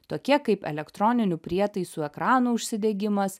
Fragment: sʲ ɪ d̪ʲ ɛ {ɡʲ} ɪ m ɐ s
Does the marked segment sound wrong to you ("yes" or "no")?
no